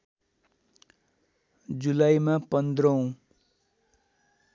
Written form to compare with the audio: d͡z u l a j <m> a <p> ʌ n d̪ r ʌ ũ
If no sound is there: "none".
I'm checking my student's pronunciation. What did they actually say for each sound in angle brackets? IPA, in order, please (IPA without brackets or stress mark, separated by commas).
m, p